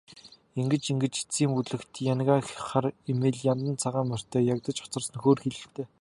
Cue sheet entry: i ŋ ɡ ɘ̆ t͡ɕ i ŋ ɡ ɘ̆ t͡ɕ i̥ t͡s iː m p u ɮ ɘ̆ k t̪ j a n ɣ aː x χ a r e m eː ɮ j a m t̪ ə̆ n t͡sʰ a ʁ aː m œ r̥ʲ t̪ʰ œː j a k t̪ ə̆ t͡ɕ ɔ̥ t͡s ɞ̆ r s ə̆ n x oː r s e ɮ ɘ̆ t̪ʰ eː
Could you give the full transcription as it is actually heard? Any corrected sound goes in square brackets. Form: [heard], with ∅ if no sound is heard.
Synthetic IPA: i ŋ ɡ ɘ̆ t͡ɕ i ŋ ɡ ɘ̆ t͡ɕ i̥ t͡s iː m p u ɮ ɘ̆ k t̪ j a n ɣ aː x χ a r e m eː ɮ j a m t̪ ə̆ n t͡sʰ a ʁ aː m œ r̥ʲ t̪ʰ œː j a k t̪ ə̆ t͡ɕ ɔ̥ t͡s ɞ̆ r s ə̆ n x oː r [x] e ɮ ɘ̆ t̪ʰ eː

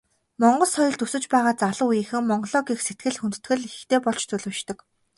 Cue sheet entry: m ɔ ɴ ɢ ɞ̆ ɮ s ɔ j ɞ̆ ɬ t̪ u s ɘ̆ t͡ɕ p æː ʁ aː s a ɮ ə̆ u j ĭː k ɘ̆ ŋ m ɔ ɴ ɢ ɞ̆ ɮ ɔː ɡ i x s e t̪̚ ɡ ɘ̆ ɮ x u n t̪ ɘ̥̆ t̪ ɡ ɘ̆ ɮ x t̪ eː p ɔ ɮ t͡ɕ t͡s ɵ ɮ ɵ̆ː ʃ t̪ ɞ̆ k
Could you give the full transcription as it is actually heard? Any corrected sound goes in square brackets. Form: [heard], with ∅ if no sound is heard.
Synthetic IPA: m ɔ ɴ ɢ ɞ̆ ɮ s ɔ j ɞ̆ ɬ t̪ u s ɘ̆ t͡ɕ p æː ʁ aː [t͡s] a ɮ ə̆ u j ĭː [x] ɘ̆ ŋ m ɔ ɴ ɢ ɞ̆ ɮ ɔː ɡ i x s e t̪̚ ɡ ɘ̆ ɮ x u n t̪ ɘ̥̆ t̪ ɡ ɘ̆ ɮ x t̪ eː p ɔ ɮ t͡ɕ t͡s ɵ ɮ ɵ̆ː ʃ t̪ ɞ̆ k

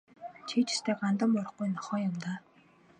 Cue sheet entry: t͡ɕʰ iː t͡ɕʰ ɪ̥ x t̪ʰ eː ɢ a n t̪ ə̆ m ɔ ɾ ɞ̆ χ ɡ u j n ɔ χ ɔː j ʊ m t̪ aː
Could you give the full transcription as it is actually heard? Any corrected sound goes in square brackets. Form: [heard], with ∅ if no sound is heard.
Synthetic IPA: t͡ɕʰ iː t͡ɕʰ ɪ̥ [s] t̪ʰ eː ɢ a n t̪ ə̆ m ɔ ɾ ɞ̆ χ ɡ u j n ɔ χ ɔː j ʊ m t̪ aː

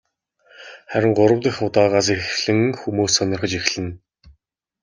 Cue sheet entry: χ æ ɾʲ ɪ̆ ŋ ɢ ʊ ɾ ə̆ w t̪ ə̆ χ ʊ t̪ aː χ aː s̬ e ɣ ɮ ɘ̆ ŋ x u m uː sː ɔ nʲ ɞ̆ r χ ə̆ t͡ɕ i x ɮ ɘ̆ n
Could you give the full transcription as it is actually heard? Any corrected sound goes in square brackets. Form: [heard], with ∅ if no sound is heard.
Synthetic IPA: χ æ ɾʲ ɪ̆ ŋ ɢ ʊ ɾ ə̆ w t̪ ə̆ [x] ʊ t̪ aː [ʁ] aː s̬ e [x] ɮ ɘ̆ ŋ x u m uː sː ɔ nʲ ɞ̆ r χ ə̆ t͡ɕ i x ɮ ɘ̆ n

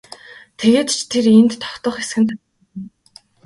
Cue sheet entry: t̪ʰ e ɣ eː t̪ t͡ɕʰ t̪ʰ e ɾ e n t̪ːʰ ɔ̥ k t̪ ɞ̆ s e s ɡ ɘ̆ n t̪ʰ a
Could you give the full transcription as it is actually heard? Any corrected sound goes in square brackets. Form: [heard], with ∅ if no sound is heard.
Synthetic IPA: t̪ʰ e ɣ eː t̪ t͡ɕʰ t̪ʰ e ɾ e n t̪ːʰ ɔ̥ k t̪ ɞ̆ [χ] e s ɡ ɘ̆ n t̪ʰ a

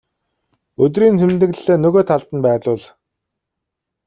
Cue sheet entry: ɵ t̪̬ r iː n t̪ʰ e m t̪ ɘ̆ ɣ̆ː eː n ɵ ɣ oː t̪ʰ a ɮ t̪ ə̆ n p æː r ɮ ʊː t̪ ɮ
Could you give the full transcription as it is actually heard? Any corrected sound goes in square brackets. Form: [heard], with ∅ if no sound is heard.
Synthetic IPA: ɵ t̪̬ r iː n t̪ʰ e m t̪ ɘ̆ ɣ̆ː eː n ɵ ɣ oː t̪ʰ a ɮ t̪ ə̆ n p æː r ɮ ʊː [∅] ɮ

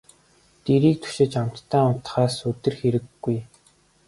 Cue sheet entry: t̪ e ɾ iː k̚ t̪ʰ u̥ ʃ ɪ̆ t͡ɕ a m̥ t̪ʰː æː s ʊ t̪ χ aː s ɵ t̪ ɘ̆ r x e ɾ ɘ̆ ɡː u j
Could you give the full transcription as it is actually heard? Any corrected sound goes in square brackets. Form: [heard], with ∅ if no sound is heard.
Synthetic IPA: t̪ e ɾ iː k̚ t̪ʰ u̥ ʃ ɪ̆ t͡ɕ a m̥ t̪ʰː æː [∅] ʊ t̪ χ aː s ɵ t̪ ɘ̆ r x e ɾ ɘ̆ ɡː u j

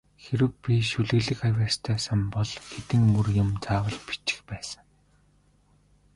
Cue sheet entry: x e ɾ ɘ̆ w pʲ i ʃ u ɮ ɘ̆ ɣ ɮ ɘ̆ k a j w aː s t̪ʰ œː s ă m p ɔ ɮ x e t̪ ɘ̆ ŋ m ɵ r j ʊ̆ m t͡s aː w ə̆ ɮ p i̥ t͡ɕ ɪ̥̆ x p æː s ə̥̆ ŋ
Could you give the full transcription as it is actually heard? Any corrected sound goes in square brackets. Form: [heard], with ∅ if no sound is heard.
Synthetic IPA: x e ɾ ɘ̆ w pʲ i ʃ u ɮ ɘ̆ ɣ ɮ ɘ̆ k a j w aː s t̪ʰ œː s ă m p ɔ ɮ x e t̪ ɘ̆ ŋ m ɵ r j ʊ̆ m t͡s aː w ə̆ ɮ p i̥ t͡ɕ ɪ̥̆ x p æː s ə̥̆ ŋ

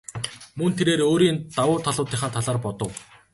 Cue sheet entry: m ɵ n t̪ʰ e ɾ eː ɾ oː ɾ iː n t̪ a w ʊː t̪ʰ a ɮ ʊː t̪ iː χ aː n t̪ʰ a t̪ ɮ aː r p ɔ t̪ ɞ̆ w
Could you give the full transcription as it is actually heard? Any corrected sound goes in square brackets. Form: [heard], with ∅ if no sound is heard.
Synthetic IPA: m ɵ n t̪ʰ e ɾ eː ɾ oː ɾ iː n t̪ a w ʊː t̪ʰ a ɮ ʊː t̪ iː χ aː n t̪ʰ a [∅] ɮ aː r p ɔ t̪ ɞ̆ w

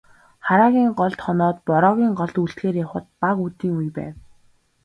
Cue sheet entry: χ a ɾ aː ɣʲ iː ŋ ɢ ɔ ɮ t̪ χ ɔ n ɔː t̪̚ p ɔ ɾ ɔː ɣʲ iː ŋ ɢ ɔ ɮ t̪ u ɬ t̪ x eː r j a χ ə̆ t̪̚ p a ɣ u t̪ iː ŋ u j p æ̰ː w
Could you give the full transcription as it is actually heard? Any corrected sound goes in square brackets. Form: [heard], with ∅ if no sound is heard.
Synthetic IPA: χ a ɾ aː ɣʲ iː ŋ ɢ ɔ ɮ t̪ χ ɔ n ɔː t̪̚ p ɔ ɾ ɔː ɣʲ iː ŋ ɢ ɔ ɮ t̪ u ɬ t̪ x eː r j a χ ə̆ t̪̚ p a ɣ u t̪ iː ŋ u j p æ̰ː w

